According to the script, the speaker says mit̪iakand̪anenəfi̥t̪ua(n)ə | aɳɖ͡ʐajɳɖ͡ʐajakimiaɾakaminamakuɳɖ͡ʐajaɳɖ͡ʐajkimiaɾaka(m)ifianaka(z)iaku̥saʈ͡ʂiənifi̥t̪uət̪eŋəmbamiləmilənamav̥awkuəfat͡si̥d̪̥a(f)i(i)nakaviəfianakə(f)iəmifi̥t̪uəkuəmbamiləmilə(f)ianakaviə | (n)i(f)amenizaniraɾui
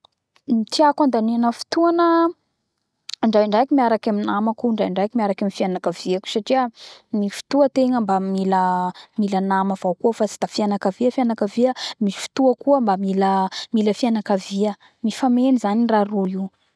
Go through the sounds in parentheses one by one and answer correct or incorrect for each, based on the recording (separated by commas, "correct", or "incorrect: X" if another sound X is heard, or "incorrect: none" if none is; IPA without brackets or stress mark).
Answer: correct, correct, incorrect: v, correct, incorrect: a, incorrect: v, correct, incorrect: m, correct